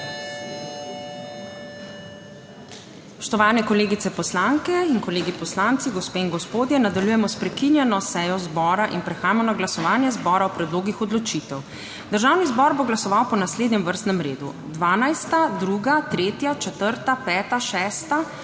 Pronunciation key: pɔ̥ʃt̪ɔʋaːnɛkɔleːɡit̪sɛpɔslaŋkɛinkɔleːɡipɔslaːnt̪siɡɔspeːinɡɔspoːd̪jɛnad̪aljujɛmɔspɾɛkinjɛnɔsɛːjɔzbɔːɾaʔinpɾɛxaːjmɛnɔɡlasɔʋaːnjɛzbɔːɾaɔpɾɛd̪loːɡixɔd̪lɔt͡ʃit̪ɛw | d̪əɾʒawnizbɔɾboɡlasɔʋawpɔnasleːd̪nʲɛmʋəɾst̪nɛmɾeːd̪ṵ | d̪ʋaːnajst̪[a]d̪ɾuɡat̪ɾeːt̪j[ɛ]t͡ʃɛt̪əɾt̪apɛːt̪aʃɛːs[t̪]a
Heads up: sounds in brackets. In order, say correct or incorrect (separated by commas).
correct, incorrect, correct